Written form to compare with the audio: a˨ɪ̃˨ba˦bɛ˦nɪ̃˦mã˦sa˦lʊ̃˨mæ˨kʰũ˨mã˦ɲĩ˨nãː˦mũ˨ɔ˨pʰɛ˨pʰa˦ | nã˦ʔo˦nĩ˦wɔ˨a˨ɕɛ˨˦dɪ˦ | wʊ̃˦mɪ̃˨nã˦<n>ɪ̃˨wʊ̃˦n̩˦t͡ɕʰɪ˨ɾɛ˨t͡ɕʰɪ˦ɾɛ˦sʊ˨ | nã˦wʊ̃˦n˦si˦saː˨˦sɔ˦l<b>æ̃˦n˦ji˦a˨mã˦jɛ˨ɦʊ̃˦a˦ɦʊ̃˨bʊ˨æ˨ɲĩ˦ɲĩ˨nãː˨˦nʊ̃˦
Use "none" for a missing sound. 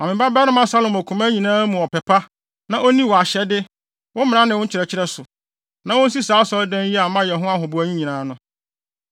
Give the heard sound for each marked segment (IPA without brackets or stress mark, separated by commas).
n, d